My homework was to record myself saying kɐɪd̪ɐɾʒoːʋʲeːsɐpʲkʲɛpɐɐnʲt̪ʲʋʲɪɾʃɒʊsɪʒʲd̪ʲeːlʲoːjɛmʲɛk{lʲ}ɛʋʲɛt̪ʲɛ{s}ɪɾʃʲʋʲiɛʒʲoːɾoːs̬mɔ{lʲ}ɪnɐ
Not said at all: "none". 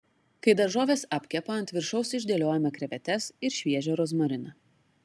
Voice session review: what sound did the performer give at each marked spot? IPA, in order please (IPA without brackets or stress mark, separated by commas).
ɾʲ, s, ɾʲ